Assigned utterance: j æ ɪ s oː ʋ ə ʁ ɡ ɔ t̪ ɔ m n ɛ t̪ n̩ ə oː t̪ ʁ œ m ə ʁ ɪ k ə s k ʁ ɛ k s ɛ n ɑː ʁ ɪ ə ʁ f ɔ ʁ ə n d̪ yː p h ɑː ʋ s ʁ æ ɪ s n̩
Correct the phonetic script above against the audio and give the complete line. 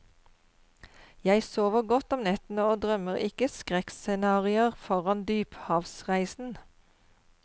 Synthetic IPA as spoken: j æ ɪ s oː ʋ ə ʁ ɡ ɔ t̪ ɔ m n ɛ t̪ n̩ ə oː d̪ ʁ œ m ə ʁ ɪ k ə s k ʁ ɛ k s ɛ n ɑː ʁ ɪ ə ʁ f ɔ ʁ ɑ n d̪ yː p h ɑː ʋ s ʁ æ ɪ s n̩